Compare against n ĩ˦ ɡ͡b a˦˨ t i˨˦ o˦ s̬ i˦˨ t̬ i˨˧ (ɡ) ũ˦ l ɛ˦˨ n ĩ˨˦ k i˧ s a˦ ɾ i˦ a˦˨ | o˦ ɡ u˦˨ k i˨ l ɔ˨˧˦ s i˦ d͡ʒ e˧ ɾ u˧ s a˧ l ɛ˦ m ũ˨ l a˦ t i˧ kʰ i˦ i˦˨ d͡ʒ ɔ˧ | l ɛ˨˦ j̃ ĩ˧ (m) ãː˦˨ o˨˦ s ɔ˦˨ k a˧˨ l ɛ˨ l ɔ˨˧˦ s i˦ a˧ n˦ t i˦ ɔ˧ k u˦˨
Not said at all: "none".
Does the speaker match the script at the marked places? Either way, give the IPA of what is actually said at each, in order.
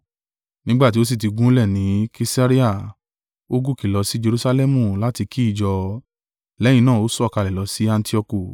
ɡ, n

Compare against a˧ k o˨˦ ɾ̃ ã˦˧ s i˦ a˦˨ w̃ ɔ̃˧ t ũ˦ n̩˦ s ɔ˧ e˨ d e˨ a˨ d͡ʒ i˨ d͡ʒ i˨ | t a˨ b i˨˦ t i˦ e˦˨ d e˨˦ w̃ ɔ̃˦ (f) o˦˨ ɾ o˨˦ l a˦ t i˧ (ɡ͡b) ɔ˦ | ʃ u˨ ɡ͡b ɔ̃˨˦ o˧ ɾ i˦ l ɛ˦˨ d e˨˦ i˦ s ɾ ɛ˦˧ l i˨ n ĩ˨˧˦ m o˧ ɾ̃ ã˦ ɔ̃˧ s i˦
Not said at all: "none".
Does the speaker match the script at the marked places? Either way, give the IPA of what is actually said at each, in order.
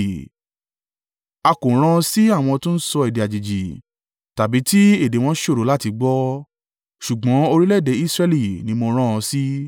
ʃ, ɡ͡b

